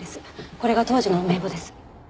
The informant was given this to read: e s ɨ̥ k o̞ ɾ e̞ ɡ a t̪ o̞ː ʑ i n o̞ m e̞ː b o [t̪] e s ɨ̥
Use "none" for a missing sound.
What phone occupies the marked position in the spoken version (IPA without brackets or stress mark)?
d̪